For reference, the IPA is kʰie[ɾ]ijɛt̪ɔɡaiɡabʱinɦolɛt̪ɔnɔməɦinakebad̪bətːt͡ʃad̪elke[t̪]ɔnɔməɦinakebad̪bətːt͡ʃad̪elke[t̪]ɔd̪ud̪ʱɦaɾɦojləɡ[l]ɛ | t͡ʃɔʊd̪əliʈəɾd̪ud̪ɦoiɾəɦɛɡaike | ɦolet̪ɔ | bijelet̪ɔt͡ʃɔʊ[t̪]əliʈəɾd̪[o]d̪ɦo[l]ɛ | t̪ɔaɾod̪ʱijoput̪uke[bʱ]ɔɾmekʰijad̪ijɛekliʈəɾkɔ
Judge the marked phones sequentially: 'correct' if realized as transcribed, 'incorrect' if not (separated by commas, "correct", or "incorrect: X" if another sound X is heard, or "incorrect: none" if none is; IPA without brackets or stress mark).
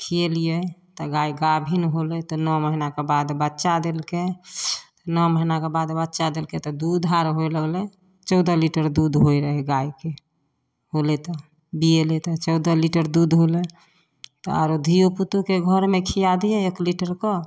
incorrect: l, correct, correct, correct, incorrect: d̪, incorrect: u, correct, incorrect: ɡʱ